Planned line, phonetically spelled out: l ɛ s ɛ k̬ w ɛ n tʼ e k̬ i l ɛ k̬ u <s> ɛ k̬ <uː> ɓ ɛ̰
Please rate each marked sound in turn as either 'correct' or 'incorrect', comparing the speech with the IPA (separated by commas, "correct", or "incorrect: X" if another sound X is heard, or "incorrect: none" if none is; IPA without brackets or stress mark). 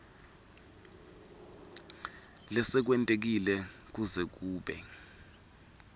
incorrect: z, correct